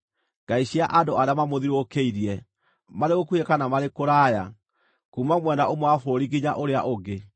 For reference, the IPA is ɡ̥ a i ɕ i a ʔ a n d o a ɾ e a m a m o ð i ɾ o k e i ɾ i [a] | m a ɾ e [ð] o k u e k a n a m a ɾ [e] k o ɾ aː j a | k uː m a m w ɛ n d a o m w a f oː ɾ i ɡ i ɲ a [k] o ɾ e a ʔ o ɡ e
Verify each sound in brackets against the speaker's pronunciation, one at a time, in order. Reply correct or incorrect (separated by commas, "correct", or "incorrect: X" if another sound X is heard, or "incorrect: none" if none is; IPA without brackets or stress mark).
incorrect: ɛ, incorrect: ɣ, correct, incorrect: ʔ